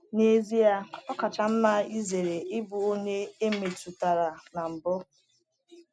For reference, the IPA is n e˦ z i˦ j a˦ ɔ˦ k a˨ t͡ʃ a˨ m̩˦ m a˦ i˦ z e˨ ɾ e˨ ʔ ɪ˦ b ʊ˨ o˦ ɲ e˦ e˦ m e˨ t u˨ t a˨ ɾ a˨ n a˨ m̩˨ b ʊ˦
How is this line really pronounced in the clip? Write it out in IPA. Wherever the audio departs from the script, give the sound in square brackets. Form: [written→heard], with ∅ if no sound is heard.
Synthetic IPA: n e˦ z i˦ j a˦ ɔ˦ k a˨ t͡ʃ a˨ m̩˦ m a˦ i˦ z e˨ ɾ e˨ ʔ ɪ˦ b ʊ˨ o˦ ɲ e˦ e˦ m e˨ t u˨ t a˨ ɾ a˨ n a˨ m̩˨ b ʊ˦

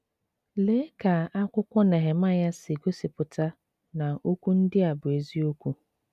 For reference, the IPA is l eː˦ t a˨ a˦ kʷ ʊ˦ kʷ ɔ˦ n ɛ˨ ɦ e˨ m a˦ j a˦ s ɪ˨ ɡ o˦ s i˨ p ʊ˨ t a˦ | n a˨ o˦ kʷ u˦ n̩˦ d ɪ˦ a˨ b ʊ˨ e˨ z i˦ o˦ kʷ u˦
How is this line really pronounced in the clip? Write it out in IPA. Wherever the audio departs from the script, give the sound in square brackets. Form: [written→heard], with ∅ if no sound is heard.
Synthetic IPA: l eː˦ [t→k] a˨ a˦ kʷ ʊ˦ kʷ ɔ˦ n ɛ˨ ɦ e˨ m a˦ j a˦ s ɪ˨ ɡ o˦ s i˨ p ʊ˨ t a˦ | n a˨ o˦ kʷ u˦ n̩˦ d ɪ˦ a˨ b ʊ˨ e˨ z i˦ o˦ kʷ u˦

